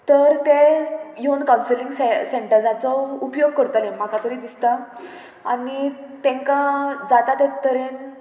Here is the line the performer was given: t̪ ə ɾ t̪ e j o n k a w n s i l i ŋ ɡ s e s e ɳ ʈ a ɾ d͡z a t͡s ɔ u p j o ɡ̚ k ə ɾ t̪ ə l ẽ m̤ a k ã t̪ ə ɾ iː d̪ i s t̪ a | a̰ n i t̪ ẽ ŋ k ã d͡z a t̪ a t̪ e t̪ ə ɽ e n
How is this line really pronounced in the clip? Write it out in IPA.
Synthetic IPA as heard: t̪ ə ɾ t̪ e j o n k a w n s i l i ŋ ɡ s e s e ɳ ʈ ə ɾ d͡z a t͡s ɔ u p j o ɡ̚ k ə ɾ t̪ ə l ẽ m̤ a k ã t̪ ə ɾ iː d̪ i s t̪ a | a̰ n i t̪ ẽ ŋ k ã d͡z a t̪ a t̪ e t̪ ə ɾ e n